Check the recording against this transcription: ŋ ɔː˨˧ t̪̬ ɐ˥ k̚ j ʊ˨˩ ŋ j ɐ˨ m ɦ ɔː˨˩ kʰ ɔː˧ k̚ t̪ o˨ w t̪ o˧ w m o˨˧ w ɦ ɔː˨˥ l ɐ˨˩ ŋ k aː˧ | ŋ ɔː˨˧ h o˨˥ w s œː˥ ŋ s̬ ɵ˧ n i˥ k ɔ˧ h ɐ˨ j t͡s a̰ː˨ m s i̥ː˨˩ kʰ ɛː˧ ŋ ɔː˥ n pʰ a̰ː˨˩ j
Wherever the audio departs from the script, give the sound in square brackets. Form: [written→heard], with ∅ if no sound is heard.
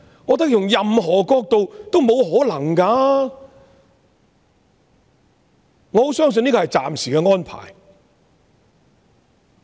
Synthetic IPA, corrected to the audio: ŋ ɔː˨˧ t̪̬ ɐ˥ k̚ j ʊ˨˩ ŋ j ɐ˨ m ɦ ɔː˨˩ [kʰ→k] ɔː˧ k̚ t̪ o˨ w t̪ [o˧→o˥] w m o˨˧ w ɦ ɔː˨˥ l ɐ˨˩ ŋ k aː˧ | ŋ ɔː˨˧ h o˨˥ w s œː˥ ŋ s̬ ɵ˧ n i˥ k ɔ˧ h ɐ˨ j t͡s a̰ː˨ m s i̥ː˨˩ [kʰ→k] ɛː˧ ŋ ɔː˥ n pʰ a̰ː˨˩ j